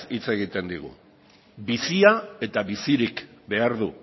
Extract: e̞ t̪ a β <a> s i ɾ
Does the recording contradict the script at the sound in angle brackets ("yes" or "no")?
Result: yes